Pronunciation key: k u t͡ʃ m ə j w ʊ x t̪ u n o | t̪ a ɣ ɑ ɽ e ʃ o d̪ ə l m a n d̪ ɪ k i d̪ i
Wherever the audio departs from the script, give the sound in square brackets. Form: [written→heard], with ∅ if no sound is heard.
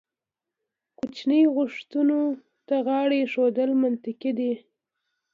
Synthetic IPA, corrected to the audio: k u t͡ʃ [m→n] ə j [w→ɣ] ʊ [x→ʂ] t̪ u n o | t̪ a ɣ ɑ ɽ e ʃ o d̪ ə l m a n [d̪→t̪] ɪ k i d̪ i